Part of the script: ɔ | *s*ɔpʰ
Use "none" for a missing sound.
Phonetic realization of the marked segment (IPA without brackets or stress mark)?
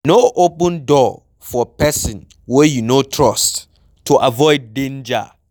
f